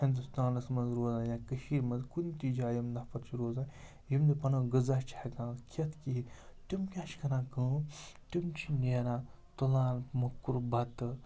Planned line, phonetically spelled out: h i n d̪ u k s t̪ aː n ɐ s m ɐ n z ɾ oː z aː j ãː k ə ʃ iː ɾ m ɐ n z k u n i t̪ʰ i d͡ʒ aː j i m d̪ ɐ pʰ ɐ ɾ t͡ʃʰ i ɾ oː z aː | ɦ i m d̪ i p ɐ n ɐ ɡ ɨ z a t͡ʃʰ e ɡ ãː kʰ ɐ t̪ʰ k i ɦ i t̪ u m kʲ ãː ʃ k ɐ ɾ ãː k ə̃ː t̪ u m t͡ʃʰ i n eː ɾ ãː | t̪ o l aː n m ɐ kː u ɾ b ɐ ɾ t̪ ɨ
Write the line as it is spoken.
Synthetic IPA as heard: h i n d̪ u s t̪ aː n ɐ s m ɐ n z ɾ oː z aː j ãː k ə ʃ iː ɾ m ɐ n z k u n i t̪ i d͡ʒ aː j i m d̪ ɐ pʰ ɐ ɾ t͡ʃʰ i ɾ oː z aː | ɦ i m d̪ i p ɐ n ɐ ɡ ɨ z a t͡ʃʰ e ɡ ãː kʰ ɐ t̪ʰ k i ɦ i t̪ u m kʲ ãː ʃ k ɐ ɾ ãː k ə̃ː t̪ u m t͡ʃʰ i n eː ɾ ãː | t̪ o l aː n m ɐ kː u ɾ b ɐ t̪ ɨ

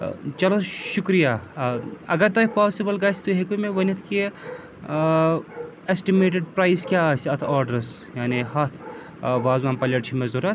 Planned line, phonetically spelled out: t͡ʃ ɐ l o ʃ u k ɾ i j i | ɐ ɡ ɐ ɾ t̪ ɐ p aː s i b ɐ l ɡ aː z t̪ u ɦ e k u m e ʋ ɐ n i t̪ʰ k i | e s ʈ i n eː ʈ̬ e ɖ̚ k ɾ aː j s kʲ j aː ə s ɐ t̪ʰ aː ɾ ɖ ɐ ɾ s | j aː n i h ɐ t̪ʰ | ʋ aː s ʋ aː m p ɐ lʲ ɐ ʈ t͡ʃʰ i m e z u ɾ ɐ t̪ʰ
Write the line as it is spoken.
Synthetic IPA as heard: t͡ʃ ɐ l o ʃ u k ɾ i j a | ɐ ɡ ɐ ɾ t̪ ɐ p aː s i b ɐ l ɡ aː s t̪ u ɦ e k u m e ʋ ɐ n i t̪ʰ k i | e s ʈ i m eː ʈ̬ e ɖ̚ p ɾ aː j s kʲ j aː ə s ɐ t̪ʰ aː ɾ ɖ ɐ ɾ s | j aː n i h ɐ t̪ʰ | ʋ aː z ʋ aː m p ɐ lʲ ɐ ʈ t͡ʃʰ i m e z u ɾ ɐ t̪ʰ

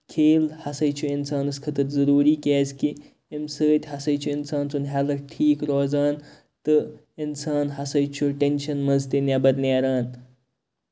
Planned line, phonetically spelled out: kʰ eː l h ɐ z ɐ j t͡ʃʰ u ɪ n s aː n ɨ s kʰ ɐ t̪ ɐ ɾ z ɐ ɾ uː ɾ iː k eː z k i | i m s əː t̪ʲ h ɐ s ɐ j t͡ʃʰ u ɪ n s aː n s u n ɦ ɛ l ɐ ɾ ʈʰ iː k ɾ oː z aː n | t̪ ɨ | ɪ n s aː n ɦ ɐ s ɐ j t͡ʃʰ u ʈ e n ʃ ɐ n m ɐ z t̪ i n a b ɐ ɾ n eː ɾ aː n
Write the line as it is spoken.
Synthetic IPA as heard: kʰ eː l h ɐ s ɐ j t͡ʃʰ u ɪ n s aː n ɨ s kʰ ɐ t̪ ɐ ɾ z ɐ ɾ uː ɾ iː k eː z k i | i m s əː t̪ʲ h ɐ s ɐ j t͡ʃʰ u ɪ n s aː n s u n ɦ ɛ l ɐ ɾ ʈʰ iː k ɾ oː z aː n | t̪ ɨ | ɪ n s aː n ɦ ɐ s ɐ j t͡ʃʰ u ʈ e n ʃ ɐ n m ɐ z t̪ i n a b ɐ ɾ n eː ɾ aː n

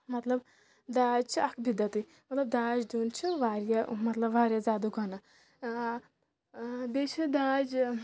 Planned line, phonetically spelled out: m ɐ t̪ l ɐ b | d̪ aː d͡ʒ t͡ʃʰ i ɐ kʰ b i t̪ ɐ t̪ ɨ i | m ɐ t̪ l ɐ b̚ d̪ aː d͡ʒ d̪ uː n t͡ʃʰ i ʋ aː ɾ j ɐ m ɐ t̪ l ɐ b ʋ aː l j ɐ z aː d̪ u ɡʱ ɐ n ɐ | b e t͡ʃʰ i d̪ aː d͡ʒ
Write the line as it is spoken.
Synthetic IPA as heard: m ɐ t̪ l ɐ b | d̪ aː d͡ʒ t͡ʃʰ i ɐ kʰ b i d̪ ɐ t̪ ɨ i | m ɐ t̪ l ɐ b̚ d̪ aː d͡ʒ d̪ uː n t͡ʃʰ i ʋ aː ɾ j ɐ m ɐ t̪ l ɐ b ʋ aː ɾ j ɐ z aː d̪ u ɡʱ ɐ n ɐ | b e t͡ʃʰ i d̪ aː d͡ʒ

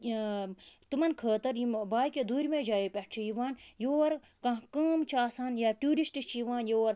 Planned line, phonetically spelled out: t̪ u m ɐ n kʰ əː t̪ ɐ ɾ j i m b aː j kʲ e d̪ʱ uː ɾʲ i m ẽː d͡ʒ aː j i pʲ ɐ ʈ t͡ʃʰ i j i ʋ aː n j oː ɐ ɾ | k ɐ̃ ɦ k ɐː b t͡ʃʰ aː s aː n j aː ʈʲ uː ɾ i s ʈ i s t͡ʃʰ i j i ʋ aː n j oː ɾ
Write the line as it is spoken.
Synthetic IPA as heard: t̪ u m ɐ n kʰ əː t̪ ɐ ɾ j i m b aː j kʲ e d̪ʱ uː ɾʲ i m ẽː d͡ʒ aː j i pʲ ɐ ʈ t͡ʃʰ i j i ʋ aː n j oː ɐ ɾ | k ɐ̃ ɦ k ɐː m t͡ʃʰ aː s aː n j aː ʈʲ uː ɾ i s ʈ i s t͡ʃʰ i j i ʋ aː n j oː ɾ

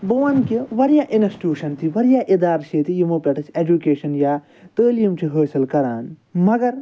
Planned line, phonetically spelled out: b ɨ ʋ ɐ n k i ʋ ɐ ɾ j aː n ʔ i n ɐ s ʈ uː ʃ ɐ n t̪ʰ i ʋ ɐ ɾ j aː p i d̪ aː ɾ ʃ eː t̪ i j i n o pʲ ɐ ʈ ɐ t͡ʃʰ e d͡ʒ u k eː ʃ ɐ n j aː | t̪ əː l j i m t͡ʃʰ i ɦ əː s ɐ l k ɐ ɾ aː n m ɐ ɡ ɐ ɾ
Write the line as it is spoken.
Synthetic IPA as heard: b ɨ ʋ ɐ n k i ʋ ɐ ɾ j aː ʔ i n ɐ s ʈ uː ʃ ɐ n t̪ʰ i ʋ ɐ ɾ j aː ʔ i d̪ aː ɾ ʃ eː t̪ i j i m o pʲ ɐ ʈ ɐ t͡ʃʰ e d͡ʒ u k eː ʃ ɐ n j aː | t̪ əː l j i m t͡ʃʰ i ɦ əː s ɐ l k ɐ ɾ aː n m ɐ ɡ ɐ ɾ

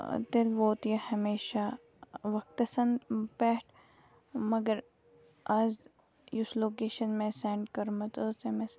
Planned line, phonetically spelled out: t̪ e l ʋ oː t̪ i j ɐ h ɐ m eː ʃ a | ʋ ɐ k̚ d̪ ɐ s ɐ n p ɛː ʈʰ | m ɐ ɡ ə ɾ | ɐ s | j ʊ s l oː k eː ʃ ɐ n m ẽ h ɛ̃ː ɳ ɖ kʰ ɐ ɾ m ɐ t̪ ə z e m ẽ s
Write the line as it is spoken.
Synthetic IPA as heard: t̪ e l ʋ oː t̪ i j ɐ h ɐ m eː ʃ a | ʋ ɐ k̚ t̪ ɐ s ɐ n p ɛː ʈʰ | m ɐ ɡ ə ɾ | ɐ z | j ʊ s l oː k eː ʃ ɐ n m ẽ s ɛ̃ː ɳ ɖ k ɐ ɾ m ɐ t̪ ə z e m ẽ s

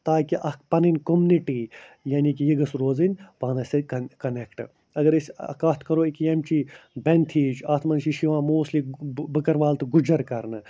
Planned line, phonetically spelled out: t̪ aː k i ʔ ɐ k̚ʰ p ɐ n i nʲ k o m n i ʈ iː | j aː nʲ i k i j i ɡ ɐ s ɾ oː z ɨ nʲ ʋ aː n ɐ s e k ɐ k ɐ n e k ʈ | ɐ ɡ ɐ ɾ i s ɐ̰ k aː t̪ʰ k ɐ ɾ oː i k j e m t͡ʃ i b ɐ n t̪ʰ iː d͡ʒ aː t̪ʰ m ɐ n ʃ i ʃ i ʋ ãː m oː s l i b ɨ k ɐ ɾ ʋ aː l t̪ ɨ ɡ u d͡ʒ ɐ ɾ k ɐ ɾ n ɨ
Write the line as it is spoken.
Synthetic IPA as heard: t̪ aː k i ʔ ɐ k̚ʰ p ɐ n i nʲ k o m n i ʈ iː | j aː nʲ i k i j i ɡ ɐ s ɾ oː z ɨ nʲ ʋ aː n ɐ s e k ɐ k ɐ n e k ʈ | ɐ ɡ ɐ ɾ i s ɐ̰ k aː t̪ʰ k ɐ ɾ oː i k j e m t͡ʃ i b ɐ n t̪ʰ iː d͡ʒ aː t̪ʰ m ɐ n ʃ i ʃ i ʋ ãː m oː s l i b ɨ k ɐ ɾ ʋ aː l t̪ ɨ ɡ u d͡ʒ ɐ ɾ k ɐ ɾ n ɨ

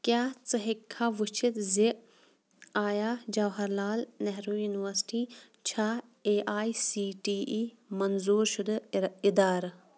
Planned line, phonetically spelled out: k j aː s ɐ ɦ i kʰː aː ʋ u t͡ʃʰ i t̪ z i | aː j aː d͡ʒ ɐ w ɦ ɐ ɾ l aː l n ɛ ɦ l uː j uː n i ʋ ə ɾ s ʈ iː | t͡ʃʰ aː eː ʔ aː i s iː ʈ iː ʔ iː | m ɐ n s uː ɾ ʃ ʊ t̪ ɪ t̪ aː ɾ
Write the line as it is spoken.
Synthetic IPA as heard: k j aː t͡s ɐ ɦ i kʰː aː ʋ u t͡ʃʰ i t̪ z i | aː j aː d͡ʒ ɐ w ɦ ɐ ɾ l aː l n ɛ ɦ ɾ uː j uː n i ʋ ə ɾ s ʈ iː | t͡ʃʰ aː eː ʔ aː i s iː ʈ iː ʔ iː | m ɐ n z uː ɾ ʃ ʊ d̪ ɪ d̪ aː ɾ

